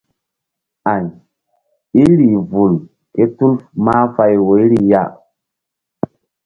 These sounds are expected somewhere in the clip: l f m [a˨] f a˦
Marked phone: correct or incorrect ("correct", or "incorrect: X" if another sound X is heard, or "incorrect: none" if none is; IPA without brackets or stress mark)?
incorrect: a˦